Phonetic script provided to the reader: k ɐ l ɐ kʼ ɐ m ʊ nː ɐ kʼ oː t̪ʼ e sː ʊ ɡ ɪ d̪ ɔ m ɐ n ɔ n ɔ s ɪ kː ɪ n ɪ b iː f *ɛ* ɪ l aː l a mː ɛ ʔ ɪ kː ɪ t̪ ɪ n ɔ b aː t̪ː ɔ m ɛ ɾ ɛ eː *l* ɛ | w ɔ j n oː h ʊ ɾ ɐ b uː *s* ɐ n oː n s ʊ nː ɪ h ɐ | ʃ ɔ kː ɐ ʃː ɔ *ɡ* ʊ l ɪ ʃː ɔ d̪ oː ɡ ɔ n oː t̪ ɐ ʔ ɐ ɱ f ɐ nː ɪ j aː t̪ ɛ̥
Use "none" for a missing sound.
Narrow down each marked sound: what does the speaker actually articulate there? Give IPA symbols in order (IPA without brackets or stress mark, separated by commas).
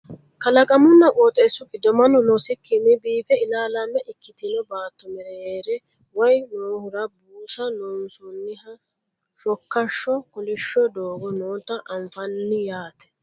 ɛ, ɾ, s, k